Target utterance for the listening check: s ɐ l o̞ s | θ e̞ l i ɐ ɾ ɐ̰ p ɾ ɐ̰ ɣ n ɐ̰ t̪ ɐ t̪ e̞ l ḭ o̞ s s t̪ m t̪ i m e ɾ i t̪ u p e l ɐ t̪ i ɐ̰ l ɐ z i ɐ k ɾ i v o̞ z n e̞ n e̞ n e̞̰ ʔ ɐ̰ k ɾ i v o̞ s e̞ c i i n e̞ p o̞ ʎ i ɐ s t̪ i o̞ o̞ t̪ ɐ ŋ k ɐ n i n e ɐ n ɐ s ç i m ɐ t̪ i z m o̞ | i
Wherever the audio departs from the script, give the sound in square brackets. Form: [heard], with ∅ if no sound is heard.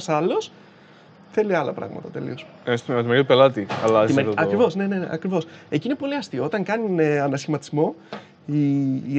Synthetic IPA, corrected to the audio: s ɐ l o̞ s | θ e̞ l i ɐ [l] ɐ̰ p ɾ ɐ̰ ɣ [m] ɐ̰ t̪ ɐ t̪ e̞ l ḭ o̞ s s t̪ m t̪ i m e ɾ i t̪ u p e l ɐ t̪ i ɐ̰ l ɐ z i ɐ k ɾ i v o̞ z n e̞ n e̞ n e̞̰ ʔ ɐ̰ k ɾ i v o̞ s e̞ c i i n e̞ p o̞ [l] i ɐ s t̪ i o̞ o̞ t̪ ɐ ŋ k ɐ n i n e ɐ n ɐ s ç i m ɐ t̪ i z m o̞ | i